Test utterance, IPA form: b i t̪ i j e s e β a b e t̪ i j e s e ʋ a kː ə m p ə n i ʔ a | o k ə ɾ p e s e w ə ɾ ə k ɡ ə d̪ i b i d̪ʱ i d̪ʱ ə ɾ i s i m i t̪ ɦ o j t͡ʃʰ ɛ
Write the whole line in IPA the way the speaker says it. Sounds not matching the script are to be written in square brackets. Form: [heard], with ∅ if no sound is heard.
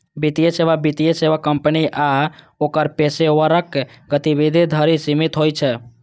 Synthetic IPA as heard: b i t̪ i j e s e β a b [i] t̪ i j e s e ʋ a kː ə m p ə n i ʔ a | o k ə ɾ p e s e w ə ɾ ə k ɡ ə [t̪] i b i d̪ʱ i d̪ʱ ə ɾ i s i m i t̪ ɦ o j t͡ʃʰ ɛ

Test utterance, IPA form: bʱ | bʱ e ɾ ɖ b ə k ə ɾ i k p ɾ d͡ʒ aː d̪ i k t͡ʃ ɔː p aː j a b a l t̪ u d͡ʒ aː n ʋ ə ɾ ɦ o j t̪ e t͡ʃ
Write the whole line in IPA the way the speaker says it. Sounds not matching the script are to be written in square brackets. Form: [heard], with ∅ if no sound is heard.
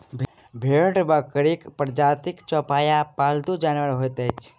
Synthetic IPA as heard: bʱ | bʱ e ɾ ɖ b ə k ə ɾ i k p ɾ d͡ʒ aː [t̪] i k t͡ʃ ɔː p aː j a [p] a l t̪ u d͡ʒ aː n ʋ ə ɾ ɦ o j t̪ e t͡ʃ

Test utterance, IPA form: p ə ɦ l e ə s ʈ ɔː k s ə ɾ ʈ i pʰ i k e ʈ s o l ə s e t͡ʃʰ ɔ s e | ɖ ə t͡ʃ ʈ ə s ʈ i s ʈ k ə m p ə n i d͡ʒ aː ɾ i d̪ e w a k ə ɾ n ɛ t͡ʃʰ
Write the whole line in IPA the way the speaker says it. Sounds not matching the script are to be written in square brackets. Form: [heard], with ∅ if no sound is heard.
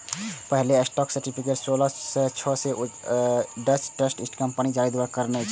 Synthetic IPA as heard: p ə ɦ l e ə s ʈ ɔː k s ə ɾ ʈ i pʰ i k e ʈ s o l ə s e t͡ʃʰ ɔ s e | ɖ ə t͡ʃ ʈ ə s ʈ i s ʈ k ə m p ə n i d͡ʒ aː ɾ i d̪ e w a k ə ɾ n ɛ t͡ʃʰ

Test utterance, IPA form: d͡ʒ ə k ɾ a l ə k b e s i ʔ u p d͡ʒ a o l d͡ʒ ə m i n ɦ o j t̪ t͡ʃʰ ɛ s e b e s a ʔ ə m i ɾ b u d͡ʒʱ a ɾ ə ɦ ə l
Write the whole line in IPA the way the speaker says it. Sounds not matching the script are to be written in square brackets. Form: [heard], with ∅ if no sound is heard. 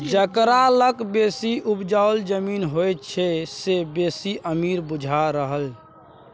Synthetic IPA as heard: d͡ʒ ə k ɾ a l ə k b e s i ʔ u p d͡ʒ a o l d͡ʒ ə m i n ɦ o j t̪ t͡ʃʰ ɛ s e b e s [i] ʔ ə m i ɾ b u d͡ʒʱ a ɾ ə ɦ ə l

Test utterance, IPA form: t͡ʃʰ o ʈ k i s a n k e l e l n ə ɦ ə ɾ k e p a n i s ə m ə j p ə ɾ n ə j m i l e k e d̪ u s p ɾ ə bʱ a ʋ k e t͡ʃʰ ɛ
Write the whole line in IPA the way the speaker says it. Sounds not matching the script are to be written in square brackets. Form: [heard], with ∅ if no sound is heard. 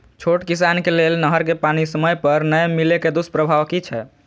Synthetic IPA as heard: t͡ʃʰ o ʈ k i s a n k e l e l n ə ɦ ə ɾ k e p a n i s ə m ə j p ə ɾ n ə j m i l e k e d̪ u s p ɾ ə bʱ a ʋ k [i] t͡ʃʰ ɛ

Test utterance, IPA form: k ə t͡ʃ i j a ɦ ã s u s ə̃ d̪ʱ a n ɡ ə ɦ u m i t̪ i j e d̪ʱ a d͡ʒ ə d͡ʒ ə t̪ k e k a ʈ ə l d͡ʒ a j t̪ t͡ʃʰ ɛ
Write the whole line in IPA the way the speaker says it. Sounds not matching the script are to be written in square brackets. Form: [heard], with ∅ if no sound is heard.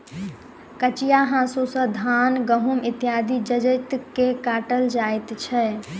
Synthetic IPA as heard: k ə t͡ʃ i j a ɦ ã s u s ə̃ d̪ʱ a n ɡ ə ɦ u m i t̪ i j [a] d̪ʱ [i] d͡ʒ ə d͡ʒ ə t̪ k e k a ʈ ə l d͡ʒ a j t̪ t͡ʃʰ ɛ

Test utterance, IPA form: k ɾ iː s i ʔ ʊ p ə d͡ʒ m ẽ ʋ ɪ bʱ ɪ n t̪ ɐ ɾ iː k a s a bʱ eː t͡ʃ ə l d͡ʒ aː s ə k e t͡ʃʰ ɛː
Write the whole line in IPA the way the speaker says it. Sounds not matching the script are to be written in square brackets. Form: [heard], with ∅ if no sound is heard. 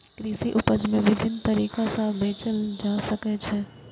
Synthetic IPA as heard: k ɾ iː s i ʔ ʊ p ə d͡ʒ m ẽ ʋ ɪ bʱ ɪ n t̪ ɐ ɾ iː k a s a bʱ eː t͡ʃ ə l d͡ʒ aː s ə k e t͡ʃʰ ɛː

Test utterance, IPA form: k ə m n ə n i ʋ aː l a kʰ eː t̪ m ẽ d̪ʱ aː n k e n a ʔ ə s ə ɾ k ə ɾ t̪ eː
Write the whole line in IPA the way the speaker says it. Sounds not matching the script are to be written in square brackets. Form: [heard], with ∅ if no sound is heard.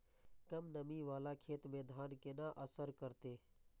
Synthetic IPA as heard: k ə m n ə [m] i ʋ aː l a kʰ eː t̪ m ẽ d̪ʱ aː n k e n a ʔ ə s ə ɾ k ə ɾ t̪ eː

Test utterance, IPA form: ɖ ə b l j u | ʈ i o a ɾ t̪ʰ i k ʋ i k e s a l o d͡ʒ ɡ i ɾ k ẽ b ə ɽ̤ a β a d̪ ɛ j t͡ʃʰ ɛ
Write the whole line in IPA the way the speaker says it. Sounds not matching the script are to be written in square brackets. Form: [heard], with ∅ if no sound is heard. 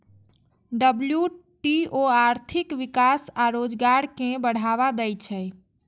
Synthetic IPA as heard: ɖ ə b l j u | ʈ i o a ɾ t̪ʰ i k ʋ i k [a] s a [ɾ] o d͡ʒ ɡ [a] ɾ k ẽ b ə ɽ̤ a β a d̪ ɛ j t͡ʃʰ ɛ

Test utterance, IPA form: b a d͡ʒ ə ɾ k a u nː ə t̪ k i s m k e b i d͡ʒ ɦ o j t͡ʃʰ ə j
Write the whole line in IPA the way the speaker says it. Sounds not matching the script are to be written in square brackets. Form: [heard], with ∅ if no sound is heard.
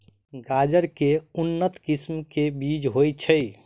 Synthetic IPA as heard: [ɡ] a d͡ʒ ə ɾ k [e] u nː ə t̪ k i s m k e b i d͡ʒ ɦ o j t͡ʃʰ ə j

